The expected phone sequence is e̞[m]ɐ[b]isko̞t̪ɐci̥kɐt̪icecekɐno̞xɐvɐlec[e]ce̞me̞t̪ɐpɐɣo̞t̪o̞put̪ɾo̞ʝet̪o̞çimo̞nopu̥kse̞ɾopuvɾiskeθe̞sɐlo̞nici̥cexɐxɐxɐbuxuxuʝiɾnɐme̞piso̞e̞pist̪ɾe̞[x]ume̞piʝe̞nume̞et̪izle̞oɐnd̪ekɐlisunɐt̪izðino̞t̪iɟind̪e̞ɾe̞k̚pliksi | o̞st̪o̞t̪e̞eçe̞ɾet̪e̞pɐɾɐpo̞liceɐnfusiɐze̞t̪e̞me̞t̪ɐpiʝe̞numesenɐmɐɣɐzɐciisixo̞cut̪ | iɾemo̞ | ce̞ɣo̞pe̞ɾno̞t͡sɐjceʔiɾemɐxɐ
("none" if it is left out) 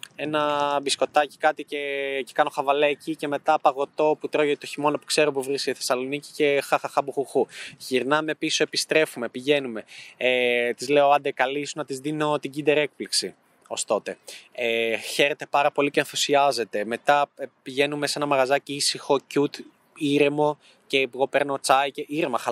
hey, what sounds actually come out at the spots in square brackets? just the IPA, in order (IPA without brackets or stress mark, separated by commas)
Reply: n, b, i, f